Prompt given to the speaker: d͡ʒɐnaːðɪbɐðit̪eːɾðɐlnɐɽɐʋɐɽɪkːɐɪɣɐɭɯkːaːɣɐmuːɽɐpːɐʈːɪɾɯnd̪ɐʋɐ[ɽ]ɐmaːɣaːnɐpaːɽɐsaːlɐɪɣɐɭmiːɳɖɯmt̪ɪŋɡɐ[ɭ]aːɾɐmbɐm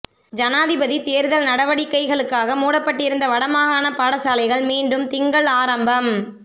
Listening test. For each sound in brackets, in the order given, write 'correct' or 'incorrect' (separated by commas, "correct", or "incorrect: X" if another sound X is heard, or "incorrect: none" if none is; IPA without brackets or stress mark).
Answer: correct, correct